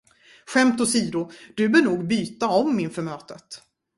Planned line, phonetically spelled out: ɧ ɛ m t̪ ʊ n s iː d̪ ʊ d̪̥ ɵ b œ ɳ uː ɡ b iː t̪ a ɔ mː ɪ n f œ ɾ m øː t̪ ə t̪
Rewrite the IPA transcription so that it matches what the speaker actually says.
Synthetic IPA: ɧ ɛ m t̪ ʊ s iː d̪ ʊ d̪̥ ɵ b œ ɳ uː ɡ b yː t̪ a ɔ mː ɪ n f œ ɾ m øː t̪ ə t̪